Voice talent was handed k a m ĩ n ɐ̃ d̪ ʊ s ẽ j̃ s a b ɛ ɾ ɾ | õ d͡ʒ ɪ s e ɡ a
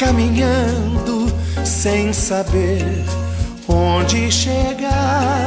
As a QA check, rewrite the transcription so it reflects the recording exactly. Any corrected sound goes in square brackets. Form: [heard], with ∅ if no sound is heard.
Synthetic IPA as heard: k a m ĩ [ɲ] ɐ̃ d̪ ʊ s ẽ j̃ s a b [e] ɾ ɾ | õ d͡ʒ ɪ [ʃ] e ɡ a

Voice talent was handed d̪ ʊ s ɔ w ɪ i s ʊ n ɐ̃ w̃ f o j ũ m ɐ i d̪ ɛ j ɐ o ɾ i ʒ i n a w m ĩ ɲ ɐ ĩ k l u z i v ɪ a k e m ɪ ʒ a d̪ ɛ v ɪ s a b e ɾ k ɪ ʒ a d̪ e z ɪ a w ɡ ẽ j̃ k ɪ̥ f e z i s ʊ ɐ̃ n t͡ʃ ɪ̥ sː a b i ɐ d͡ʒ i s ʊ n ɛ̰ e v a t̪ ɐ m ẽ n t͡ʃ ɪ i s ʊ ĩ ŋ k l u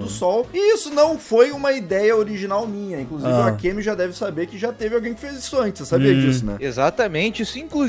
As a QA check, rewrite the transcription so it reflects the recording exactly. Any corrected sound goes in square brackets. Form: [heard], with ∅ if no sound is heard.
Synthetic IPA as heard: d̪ ʊ s ɔ w ɪ i s ʊ n ɐ̃ w̃ f o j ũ m ɐ i d̪ ɛ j ɐ o ɾ i ʒ i n a w m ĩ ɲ ɐ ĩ k l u z i v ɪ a k e m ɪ ʒ a d̪ ɛ v ɪ s a b e ɾ k ɪ ʒ a [t̪] e [v] ɪ a w ɡ ẽ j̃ k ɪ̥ f e z i s ʊ ɐ̃ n t͡ʃ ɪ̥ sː a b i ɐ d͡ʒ i s ʊ n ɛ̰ e [z] a t̪ ɐ m ẽ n t͡ʃ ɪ i s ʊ ĩ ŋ k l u

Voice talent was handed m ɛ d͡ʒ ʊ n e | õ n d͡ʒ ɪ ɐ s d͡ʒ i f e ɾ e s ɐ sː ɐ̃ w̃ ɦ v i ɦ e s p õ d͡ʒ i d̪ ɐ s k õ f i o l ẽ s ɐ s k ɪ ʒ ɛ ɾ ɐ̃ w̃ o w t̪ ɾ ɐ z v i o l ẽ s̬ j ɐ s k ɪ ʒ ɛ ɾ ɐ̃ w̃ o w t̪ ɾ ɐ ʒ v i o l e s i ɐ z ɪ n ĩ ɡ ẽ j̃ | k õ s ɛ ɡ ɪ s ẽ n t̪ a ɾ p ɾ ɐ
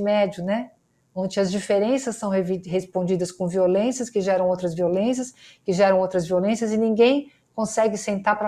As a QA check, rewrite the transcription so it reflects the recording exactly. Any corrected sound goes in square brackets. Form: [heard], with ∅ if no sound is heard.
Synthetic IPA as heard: m ɛ d͡ʒ ʊ n [ɛ] | õ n d͡ʒ ɪ ɐ [z] d͡ʒ i f e ɾ [ẽ] s ɐ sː ɐ̃ w̃ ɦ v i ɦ e s p õ d͡ʒ i d̪ ɐ s k õ [v] i o l ẽ s ɐ s k ɪ ʒ ɛ ɾ ɐ̃ w̃ o w t̪ ɾ ɐ z v i o l ẽ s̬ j ɐ s k ɪ ʒ ɛ ɾ ɐ̃ w̃ o w t̪ ɾ ɐ [z] v i o l [ẽ] s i ɐ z ɪ n ĩ ɡ ẽ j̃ | k õ s ɛ ɡ ɪ s ẽ n t̪ a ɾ p ɾ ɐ

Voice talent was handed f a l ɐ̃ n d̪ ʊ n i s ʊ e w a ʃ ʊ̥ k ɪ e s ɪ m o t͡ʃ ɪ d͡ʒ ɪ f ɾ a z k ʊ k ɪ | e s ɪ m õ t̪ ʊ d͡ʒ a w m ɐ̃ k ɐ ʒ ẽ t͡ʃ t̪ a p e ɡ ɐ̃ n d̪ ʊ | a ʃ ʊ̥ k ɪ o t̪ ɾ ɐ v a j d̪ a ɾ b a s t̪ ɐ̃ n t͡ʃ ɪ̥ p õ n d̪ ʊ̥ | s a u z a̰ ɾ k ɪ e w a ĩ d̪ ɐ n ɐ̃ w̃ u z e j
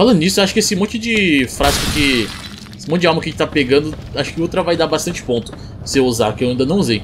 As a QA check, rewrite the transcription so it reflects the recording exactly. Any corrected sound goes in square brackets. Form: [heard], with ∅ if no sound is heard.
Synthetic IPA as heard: f a l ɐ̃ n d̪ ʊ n i s ʊ e w a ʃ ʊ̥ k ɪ e s ɪ m [õ] t͡ʃ ɪ d͡ʒ ɪ f ɾ a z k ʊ k ɪ | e s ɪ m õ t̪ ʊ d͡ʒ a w m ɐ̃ k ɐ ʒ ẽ t͡ʃ t̪ a p e ɡ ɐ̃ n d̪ ʊ | a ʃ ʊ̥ k ɪ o t̪ ɾ ɐ v a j d̪ a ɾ b a s t̪ ɐ̃ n t͡ʃ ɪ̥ p õ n [t̪] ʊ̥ | s [e] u z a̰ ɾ k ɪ e w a ĩ d̪ ɐ n ɐ̃ w̃ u z e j

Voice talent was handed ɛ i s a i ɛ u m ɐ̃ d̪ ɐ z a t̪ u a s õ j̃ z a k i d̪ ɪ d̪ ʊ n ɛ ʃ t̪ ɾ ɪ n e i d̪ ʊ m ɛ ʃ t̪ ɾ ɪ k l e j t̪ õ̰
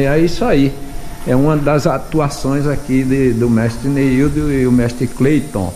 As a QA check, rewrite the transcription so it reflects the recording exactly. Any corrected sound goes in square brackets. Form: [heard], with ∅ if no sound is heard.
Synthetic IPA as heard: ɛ i s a i ɛ [ũ] m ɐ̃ d̪ ɐ z a t̪ u a s õ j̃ z a k i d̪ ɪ d̪ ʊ [m] ɛ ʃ t̪ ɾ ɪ n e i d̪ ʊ m ɛ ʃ t̪ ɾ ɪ k l e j t̪ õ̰

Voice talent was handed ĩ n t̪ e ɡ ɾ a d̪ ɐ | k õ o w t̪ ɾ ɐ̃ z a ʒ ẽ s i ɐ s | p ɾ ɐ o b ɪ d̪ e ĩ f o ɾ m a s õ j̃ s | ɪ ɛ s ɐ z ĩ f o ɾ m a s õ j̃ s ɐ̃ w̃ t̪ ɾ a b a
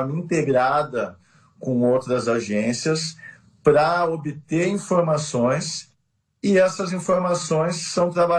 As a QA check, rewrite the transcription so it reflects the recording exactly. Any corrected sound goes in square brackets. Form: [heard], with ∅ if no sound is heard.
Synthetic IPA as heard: ĩ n t̪ e ɡ ɾ a d̪ ɐ | k õ o w t̪ ɾ [ɐ] z a ʒ ẽ s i ɐ s | p ɾ ɐ o b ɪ [t̪] e ĩ f o ɾ m a s õ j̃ s | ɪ ɛ s ɐ z ĩ f o ɾ m a s õ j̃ [sː] ɐ̃ w̃ t̪ ɾ a b a

